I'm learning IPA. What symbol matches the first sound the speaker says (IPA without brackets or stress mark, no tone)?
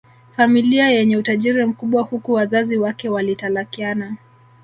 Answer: f